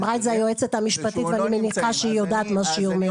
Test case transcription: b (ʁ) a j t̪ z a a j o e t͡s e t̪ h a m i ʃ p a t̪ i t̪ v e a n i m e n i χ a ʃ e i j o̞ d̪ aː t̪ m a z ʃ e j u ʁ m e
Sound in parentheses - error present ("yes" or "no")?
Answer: no